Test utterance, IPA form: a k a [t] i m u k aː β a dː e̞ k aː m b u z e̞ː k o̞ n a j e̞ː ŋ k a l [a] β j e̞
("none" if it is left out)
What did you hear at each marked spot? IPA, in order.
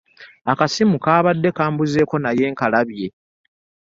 s, a

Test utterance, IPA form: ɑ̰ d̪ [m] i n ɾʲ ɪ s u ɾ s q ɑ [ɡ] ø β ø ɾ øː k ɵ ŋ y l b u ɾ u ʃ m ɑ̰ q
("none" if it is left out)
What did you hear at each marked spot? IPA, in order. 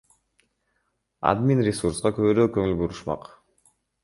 m, k

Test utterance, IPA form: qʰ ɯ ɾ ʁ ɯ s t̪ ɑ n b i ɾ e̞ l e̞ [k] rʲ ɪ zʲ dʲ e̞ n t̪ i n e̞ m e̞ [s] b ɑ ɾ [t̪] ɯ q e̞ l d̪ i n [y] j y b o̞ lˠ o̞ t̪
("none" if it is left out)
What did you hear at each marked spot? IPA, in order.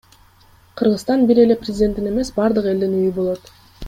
p, s, d̪, y

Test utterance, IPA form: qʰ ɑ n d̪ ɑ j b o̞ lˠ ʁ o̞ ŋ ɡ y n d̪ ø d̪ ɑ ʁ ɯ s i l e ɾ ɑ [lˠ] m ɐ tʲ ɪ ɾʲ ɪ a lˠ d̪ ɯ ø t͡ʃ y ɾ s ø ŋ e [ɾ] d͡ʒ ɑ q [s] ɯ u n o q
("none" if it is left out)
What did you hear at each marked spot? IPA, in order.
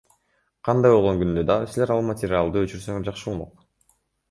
lˠ, ɾ, ʃ

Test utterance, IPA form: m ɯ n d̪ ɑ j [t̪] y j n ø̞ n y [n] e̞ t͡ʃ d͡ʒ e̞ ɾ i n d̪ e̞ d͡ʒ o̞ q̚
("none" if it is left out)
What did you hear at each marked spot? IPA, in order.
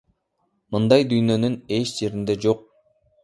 d̪, n

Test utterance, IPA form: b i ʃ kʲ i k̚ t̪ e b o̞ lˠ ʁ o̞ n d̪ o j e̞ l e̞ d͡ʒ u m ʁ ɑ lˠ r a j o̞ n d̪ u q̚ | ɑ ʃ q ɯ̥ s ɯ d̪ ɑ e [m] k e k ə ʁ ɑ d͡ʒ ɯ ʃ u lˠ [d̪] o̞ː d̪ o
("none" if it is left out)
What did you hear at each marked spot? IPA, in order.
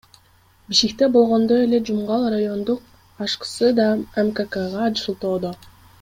m, t̪

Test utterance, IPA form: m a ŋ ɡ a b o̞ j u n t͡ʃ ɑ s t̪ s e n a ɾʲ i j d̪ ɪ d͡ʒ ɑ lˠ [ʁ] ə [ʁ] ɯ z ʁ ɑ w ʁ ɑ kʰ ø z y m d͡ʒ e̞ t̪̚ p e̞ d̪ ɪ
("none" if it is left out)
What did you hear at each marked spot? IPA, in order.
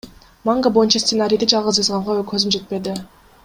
ʁ, z

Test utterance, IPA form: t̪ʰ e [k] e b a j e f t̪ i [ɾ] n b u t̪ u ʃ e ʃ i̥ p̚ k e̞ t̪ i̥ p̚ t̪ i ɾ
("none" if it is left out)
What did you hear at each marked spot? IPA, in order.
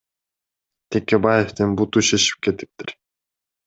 k, none

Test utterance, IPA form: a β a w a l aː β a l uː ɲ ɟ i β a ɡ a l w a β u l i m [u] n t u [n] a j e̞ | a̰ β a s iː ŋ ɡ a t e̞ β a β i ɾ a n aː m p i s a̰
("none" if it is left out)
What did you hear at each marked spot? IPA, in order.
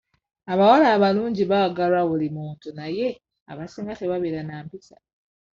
uː, n

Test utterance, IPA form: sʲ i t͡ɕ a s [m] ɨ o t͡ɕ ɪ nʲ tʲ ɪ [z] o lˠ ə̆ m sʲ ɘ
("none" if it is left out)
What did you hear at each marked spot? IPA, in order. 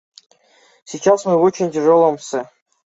m, ʐ

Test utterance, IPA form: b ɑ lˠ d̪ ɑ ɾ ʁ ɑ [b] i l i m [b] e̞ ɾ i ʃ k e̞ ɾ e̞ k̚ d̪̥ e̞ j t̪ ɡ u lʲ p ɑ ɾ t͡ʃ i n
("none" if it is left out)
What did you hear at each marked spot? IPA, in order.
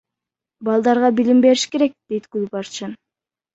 b, b

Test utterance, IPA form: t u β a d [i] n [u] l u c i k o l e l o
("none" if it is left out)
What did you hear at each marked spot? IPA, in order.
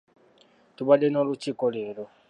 e, o

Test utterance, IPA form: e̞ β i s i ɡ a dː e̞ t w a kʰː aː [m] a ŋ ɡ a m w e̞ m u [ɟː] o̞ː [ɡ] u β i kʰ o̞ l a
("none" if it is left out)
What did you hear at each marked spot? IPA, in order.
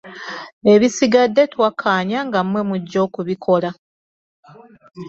ɲ, ɟː, k

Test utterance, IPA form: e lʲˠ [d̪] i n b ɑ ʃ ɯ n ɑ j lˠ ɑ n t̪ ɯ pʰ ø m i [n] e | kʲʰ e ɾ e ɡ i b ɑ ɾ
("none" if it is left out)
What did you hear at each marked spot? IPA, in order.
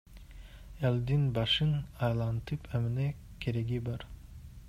d̪, n

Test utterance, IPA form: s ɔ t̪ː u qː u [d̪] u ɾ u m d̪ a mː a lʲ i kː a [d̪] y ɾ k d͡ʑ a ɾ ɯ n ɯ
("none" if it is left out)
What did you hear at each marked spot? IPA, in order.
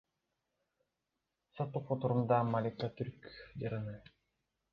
t̪, t̪

